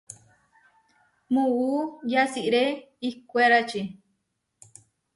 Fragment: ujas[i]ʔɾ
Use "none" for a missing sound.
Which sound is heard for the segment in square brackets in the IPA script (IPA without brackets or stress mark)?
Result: i